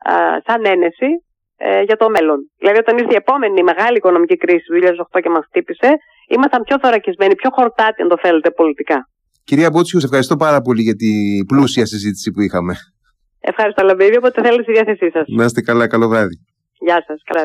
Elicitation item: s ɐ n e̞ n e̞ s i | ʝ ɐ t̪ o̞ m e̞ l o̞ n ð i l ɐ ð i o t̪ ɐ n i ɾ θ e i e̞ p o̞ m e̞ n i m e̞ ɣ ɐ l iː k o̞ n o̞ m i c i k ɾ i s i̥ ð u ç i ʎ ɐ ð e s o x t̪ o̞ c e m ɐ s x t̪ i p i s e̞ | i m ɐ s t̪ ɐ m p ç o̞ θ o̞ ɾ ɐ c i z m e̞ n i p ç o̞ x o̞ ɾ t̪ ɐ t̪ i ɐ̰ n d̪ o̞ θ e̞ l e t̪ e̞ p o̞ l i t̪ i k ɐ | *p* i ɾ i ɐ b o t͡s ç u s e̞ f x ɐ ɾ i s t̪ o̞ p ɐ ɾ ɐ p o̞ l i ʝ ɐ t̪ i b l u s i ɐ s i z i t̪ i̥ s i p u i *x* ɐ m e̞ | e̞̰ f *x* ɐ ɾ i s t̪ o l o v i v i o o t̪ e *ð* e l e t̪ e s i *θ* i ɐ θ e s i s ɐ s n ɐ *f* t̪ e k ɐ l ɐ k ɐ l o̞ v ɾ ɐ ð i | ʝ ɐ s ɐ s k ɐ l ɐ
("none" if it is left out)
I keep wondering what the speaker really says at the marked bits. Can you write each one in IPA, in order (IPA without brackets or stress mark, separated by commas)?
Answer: c, x, x, θ, ð, s